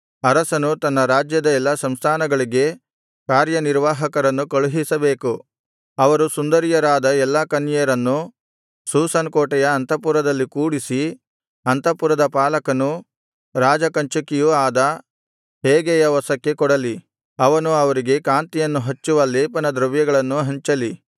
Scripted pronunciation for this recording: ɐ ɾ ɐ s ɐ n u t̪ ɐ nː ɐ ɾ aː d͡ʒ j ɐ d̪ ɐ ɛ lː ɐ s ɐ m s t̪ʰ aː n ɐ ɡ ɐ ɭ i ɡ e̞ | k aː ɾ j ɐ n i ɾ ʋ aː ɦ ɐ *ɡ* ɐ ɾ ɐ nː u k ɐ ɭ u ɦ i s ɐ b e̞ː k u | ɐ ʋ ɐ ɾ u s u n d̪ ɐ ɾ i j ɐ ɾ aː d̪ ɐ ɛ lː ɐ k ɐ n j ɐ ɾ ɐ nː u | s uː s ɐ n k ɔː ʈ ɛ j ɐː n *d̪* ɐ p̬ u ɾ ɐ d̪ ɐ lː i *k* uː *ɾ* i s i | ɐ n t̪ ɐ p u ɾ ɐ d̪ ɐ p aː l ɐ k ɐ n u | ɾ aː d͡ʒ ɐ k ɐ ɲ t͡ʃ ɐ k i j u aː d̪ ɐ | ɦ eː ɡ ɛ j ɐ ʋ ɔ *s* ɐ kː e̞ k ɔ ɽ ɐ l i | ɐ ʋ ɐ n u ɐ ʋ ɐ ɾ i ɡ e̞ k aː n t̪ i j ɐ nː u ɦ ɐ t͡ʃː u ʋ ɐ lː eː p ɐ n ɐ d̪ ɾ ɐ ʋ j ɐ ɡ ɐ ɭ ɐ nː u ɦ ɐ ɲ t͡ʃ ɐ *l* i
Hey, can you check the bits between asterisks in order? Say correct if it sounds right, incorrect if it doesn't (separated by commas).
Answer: incorrect, incorrect, correct, incorrect, correct, correct